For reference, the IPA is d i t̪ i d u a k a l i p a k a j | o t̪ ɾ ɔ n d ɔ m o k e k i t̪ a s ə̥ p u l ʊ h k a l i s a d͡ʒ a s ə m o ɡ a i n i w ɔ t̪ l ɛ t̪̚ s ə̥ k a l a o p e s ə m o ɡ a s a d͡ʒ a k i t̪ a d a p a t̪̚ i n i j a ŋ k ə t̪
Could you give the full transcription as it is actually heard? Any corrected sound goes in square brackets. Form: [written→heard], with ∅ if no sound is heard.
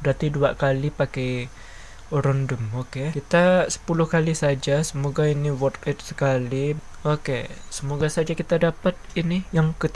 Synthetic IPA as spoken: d [i→a] t̪ i d u a k a l i p a k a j | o [t̪→∅] ɾ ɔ n d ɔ m o k e k i t̪ a s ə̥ p u l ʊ h k a l i s a d͡ʒ a s ə m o ɡ a i n i w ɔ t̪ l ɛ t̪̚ s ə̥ k a l [a→i] o [p→k] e s ə m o ɡ a s a d͡ʒ a k i t̪ a d a p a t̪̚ i n i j a ŋ k ə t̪

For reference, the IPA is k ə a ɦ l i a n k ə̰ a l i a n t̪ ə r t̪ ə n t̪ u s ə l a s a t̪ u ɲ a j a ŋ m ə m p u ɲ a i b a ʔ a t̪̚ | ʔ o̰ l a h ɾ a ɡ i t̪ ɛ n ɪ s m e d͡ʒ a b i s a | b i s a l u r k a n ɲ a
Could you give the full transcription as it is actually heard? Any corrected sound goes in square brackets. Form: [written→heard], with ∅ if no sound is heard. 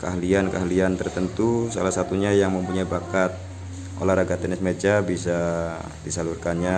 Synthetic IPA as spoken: k ə a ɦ l i a n k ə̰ a l i a n t̪ ə r t̪ ə n t̪ u s [ə→a] l a s a t̪ u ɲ a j a ŋ m ə m p u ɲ a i b a [ʔ→k] a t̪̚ | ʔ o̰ l a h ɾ a ɡ [i→a] t̪ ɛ n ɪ s m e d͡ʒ a b i s a | [b→d] i s a l u r k a n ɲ a

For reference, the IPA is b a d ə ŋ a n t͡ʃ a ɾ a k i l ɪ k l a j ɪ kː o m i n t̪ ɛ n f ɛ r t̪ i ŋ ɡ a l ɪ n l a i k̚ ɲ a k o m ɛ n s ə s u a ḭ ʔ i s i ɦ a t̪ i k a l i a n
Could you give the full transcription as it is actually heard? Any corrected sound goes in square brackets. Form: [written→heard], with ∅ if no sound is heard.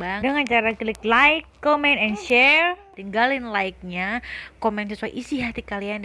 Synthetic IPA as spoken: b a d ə ŋ a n t͡ʃ a ɾ a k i l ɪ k l a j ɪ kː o m [i→ɛ] n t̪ ɛ n [f→ʃ] ɛ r t̪ i ŋ ɡ a l ɪ n l a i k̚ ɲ a k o m ɛ n s ə s u a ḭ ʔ i s i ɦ a t̪ i k a l i a n

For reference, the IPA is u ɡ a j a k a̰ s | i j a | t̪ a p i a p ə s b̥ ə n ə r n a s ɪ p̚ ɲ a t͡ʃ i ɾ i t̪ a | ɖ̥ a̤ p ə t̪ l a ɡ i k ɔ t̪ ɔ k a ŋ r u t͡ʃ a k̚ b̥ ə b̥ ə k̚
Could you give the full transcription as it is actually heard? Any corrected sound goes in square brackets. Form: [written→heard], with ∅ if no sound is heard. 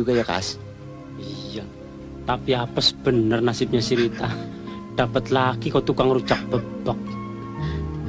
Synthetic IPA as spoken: u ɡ a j a k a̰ s | i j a | t̪ a p i a p ə s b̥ ə n ə r n a s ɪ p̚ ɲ a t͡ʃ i ɾ i t̪ a | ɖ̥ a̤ p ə t̪ l a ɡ i k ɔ t̪ [ɔ→u] k a ŋ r u t͡ʃ a k̚ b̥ ə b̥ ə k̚

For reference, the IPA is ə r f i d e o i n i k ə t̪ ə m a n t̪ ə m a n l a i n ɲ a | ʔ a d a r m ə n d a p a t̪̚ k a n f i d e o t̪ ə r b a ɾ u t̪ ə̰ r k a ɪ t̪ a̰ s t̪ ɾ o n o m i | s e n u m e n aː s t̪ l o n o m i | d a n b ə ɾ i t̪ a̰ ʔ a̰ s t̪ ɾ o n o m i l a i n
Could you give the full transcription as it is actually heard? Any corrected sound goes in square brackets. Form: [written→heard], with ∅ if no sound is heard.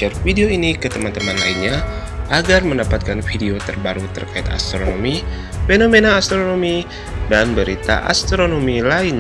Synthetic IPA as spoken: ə r f i d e o i n i k ə t̪ ə m a n t̪ ə m a n l a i n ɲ a | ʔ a [d→ɡ] a r m ə n d a p a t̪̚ k a n f i d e o t̪ ə r b a ɾ u t̪ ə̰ r k a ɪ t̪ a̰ s t̪ ɾ o n o m i | [s→f] e n [u→o] m e n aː s t̪ [l→ɾ] o n o m i | d a n b ə ɾ i t̪ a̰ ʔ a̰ s t̪ ɾ o n o m i l a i n

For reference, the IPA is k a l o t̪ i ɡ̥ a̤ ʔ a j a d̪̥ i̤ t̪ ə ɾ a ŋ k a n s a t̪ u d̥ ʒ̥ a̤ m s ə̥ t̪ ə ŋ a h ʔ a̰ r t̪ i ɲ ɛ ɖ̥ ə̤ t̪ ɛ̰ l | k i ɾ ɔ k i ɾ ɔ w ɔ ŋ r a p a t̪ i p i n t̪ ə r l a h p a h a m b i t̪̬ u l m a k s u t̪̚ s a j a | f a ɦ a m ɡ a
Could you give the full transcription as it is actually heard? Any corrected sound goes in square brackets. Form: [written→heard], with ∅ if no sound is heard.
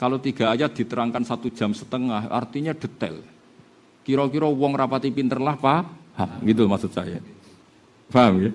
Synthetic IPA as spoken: k a l o t̪ i ɡ̥ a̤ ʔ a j a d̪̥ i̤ t̪ ə ɾ a ŋ k a n s a t̪ u d̥ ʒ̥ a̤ m s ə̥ t̪ ə ŋ a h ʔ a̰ r t̪ i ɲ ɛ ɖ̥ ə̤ t̪ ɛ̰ l | k i ɾ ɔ k i ɾ ɔ w ɔ ŋ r a p a t̪ i p i n t̪ ə r l a h p a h a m [b→ɡ] i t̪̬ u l m a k s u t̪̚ s a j a | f a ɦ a m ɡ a

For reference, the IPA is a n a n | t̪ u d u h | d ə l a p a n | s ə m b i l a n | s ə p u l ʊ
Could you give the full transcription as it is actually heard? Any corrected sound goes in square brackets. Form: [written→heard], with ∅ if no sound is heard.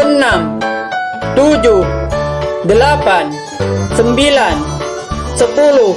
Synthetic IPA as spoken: [a→ə] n a [n→m] | t̪ u [d→d͡ʒ] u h | d ə l a p a n | s ə m b i l a n | s ə p u l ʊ

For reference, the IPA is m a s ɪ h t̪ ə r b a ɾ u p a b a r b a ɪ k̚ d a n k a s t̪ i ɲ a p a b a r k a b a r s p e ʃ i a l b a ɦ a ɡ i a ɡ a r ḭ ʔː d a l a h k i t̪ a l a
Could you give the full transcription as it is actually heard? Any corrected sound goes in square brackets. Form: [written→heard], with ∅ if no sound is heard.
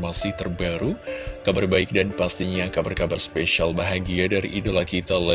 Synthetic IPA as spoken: m a s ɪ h t̪ ə r b a ɾ u [p→k] a b a r b a ɪ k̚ d a n [k→p] a s t̪ i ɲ a [p→k] a b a r k a b a r s p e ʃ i a l b a ɦ a ɡ i a [ɡ→d] a [r→ɾ] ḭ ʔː d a l a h k i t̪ a l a

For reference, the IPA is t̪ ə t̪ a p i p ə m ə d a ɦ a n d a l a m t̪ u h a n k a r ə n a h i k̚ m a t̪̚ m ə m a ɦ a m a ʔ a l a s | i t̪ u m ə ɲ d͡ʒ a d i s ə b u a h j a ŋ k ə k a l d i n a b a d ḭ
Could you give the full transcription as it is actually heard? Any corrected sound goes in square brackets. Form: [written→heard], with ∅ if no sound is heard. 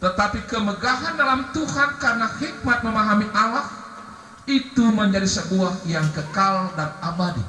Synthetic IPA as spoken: t̪ ə t̪ a p i [p→k] ə m ə [d→ɡ] a ɦ a n d a l a m t̪ u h a n k a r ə n a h i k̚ m a t̪̚ m ə m a ɦ a m [a→i] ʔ a l a [s→h] | i t̪ u m ə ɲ d͡ʒ a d i s ə b u a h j a ŋ k ə k a l d [i→a] n a b a d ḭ

